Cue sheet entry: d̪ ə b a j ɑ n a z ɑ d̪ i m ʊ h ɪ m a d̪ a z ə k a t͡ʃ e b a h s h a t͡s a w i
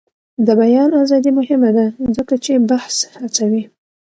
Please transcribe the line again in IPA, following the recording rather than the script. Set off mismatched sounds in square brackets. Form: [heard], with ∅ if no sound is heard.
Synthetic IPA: d̪ ə b a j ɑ n a z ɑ d̪ i m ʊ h ɪ m a d̪ a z ə k a t͡ʃ e b a h s h a t͡s a w i